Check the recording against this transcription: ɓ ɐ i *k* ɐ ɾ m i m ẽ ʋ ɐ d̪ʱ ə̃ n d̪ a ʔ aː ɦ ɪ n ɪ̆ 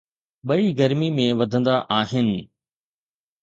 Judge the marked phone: incorrect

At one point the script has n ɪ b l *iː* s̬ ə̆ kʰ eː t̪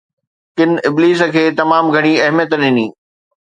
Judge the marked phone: correct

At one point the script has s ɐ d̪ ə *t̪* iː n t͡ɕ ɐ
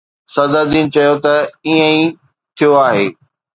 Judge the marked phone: incorrect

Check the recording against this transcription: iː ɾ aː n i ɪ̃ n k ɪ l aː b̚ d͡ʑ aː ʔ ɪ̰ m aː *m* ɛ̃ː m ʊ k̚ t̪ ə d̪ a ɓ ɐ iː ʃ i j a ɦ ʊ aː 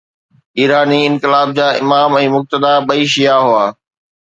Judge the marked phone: correct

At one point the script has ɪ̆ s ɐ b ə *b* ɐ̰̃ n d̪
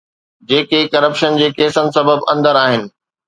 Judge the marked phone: correct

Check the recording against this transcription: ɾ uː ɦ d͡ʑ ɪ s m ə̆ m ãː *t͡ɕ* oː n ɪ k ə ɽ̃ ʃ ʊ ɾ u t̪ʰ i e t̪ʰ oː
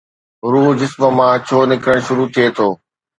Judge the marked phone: incorrect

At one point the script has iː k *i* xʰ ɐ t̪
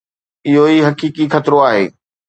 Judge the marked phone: correct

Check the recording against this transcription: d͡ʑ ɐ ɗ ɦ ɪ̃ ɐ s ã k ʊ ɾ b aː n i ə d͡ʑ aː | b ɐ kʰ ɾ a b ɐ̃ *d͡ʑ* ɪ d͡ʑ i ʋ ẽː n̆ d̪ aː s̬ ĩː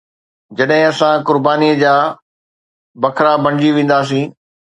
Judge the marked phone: incorrect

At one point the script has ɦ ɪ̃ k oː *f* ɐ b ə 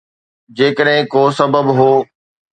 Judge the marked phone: incorrect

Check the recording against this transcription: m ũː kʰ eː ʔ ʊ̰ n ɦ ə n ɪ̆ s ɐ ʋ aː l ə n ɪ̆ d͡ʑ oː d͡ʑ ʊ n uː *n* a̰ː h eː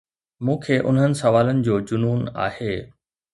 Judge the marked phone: correct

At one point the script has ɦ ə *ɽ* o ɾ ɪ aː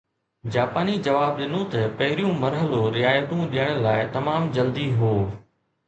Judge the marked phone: incorrect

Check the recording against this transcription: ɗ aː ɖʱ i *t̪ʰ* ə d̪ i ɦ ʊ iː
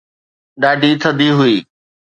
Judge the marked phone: correct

